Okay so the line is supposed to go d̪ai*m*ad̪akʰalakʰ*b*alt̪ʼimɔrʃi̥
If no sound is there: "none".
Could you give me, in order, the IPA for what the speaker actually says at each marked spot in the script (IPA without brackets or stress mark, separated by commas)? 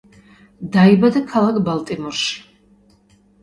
b, b